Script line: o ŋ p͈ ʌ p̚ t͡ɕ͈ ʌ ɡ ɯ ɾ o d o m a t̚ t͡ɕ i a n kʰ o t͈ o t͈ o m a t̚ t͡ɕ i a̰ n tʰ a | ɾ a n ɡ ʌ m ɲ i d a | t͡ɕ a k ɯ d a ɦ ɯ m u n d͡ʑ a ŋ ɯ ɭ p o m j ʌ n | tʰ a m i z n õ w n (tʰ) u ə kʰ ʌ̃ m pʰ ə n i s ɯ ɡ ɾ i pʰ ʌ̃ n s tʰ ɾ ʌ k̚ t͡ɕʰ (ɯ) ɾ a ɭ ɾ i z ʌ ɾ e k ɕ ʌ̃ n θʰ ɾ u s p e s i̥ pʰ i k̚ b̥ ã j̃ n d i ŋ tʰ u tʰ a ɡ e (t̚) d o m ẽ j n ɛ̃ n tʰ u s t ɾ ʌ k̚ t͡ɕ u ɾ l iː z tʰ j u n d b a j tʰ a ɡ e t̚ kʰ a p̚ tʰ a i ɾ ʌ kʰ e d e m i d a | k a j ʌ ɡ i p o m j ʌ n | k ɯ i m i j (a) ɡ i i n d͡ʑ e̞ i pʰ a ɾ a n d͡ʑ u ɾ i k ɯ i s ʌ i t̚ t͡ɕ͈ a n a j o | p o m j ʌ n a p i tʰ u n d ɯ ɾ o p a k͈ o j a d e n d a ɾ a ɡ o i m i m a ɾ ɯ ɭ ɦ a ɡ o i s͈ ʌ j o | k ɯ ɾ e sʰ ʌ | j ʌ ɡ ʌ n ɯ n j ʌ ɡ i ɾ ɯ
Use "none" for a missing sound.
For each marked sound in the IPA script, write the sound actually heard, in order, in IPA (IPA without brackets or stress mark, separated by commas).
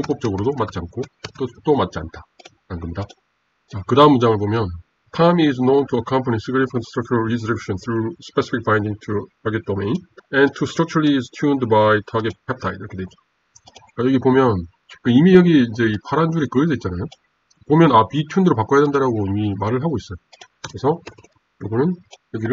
tʰ, u, t̚, ʌ